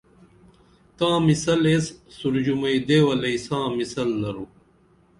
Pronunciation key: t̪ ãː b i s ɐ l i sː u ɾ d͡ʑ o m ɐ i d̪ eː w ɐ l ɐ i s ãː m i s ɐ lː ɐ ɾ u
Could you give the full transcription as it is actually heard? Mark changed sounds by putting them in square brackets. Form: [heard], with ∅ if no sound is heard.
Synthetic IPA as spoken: t̪ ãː [m] i s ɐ l [e] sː u ɾ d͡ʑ [u] m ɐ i d̪ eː w ɐ l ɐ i s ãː m i s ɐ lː ɐ ɾ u